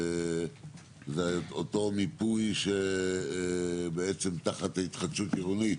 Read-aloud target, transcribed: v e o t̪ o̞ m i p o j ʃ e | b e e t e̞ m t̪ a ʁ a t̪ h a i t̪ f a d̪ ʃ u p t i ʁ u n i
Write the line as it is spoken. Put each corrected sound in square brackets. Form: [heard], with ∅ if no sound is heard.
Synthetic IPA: [z] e o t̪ o̞ m i p [u] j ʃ e | b e e [t͡s] e̞ m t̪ a [χ] a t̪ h a i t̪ [χ] a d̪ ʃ u [∅] t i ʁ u n i